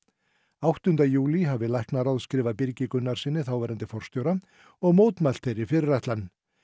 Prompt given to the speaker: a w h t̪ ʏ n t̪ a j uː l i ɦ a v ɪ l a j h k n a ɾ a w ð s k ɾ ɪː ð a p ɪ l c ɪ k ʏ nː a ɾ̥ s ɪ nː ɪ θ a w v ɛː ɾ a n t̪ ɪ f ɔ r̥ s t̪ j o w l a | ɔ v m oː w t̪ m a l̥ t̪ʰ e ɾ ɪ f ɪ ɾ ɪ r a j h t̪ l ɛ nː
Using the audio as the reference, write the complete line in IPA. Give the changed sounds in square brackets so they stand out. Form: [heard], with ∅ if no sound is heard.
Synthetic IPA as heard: a w h t̪ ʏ n t̪ a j uː l i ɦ a v ɪ l a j h k n a ɾ a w ð s k ɾ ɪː [v] a p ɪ [ɾ] c ɪ k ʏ nː a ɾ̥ s ɪ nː ɪ θ a w v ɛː ɾ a n t̪ ɪ f ɔ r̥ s t̪ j o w [ɾ] a | ɔ [ɣ] m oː w t̪ m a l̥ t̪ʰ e ɾ ɪ f ɪ ɾ ɪ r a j h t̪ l [a] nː